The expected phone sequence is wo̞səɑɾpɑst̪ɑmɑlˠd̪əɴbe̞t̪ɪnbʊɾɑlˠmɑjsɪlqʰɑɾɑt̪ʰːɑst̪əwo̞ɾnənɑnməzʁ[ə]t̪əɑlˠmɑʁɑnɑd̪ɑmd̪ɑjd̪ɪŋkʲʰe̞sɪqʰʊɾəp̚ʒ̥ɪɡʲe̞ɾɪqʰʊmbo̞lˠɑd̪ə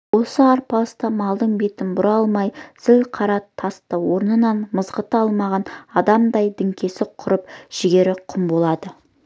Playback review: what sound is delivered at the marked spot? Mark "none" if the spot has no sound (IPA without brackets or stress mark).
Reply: ə